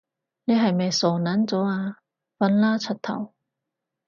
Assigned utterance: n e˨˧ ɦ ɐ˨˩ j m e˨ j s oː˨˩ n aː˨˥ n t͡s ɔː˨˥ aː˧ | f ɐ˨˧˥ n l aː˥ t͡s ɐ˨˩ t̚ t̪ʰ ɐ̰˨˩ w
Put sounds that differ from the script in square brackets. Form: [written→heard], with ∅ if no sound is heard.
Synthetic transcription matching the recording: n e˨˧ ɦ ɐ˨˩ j m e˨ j s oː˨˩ n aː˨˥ n t͡s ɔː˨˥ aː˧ | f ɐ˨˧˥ n l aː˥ [t͡s→t͡sʰ] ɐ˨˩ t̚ t̪ʰ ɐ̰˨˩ w